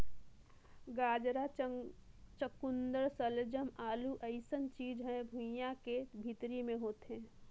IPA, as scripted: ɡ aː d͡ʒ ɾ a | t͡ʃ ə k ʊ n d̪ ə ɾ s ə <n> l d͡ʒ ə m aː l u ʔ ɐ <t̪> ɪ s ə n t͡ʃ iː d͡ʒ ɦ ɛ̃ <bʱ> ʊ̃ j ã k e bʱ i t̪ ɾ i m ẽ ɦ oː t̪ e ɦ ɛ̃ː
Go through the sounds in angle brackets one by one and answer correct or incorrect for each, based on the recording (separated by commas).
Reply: incorrect, incorrect, correct